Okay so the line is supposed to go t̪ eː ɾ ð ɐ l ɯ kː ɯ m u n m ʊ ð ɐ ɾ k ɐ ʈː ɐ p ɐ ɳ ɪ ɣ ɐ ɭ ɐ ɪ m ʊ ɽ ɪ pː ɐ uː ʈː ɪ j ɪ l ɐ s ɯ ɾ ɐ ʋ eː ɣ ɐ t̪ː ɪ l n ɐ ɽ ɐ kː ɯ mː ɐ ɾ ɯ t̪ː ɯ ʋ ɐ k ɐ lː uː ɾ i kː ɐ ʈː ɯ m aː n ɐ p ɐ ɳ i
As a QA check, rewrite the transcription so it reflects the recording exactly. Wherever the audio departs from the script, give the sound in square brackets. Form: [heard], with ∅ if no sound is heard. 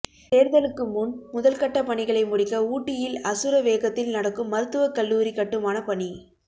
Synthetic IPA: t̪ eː ɾ ð ɐ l ɯ kː ɯ m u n m ʊ ð ɐ [l] k ɐ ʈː ɐ p ɐ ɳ ɪ ɣ ɐ ɭ ɐ ɪ m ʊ ɽ ɪ [kː] ɐ uː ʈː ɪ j ɪ l ɐ s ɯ ɾ ɐ ʋ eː ɣ ɐ t̪ː ɪ l n ɐ ɽ ɐ kː ɯ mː ɐ ɾ ɯ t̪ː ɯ ʋ ɐ k ɐ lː uː ɾ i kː ɐ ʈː ɯ m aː n ɐ p ɐ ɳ i